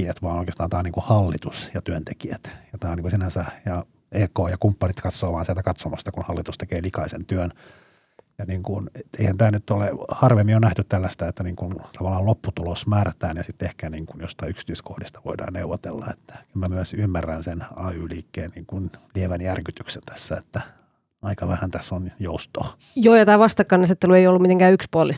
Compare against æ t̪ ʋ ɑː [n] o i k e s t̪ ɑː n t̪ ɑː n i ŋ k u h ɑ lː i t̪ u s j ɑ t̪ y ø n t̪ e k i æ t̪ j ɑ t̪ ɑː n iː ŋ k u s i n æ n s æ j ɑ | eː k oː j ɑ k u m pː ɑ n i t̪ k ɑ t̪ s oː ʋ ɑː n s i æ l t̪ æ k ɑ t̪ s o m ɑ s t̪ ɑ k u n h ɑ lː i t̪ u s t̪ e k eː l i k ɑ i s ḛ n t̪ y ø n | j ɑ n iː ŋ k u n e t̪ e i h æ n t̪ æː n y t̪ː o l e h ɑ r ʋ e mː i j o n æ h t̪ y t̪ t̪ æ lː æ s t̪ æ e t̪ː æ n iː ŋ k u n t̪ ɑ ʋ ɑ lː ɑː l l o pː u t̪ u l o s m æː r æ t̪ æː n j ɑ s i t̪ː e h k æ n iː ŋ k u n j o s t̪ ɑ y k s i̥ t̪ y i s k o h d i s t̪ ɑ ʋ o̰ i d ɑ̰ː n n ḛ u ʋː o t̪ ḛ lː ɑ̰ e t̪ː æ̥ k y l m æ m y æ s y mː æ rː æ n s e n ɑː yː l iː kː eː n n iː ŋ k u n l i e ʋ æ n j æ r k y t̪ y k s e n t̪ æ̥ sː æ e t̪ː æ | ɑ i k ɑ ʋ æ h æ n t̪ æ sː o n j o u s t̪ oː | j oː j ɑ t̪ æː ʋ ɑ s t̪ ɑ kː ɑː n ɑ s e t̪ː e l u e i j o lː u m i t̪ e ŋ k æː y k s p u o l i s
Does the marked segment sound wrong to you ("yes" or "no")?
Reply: no